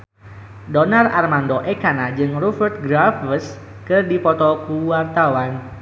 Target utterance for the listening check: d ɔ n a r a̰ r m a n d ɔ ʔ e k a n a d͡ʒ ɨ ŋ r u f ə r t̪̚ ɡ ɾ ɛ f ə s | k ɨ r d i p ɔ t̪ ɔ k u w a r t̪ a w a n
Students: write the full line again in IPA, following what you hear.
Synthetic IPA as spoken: d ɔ n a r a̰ r m a n d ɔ ʔ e k a n a d͡ʒ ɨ ŋ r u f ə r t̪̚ ɡ ɾ a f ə s | k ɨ r d i p ɔ t̪ ɔ k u w a r t̪ a w a n